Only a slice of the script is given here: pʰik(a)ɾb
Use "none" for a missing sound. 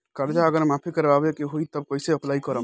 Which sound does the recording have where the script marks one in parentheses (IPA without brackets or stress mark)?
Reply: ə